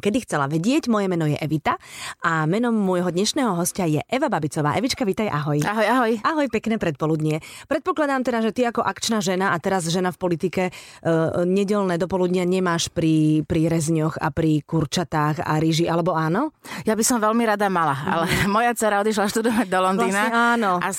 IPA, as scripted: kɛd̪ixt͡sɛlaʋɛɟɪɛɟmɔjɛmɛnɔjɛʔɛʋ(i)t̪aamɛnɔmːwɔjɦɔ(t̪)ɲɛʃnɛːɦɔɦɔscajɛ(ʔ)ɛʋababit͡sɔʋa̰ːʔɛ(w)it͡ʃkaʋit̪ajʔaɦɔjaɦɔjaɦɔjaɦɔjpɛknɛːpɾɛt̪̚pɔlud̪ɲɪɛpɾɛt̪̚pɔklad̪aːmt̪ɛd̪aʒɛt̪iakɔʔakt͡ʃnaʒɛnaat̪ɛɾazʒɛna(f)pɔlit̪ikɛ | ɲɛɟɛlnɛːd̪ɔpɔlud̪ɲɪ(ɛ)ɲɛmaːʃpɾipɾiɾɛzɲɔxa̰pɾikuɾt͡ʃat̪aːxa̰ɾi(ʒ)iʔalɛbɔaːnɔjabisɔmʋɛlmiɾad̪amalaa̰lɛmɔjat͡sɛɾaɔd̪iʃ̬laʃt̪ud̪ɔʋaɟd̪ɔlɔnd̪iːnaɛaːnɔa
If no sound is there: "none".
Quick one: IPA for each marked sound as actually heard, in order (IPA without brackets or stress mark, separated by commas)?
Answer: i, d̪, ʔ, ʋ, f, a, ʒ